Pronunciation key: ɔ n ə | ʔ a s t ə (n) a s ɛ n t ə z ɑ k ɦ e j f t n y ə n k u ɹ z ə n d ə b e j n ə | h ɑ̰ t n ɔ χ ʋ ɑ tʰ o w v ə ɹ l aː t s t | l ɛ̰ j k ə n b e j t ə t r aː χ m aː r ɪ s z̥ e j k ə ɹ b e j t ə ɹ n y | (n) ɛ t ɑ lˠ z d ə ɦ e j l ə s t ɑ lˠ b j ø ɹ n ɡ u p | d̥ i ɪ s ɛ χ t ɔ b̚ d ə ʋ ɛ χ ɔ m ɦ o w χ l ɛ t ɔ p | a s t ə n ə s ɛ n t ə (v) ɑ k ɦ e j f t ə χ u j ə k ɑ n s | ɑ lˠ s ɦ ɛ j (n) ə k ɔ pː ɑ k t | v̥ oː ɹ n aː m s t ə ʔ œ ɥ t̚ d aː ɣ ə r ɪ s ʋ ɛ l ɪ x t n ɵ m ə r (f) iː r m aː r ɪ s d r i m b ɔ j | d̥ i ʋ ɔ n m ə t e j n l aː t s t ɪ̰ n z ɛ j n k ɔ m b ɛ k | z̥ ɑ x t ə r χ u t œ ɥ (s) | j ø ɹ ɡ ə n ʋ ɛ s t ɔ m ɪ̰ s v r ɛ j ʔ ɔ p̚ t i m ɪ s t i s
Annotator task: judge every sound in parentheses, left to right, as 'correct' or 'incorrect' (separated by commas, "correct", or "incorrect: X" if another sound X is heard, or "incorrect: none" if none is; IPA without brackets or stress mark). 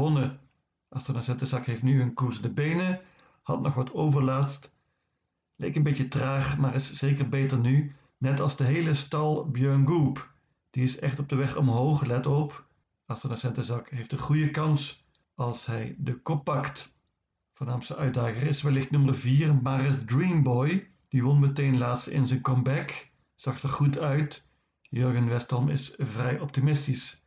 correct, correct, incorrect: z, incorrect: d, incorrect: v, incorrect: t